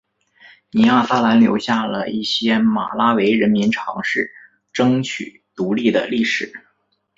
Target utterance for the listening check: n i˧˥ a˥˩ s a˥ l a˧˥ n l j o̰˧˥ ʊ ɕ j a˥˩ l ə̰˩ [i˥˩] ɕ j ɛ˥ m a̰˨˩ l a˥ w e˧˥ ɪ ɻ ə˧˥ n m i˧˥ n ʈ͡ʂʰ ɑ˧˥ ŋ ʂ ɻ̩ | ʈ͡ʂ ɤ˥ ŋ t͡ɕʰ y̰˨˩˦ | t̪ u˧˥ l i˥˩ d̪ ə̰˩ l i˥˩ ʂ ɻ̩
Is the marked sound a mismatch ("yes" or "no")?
no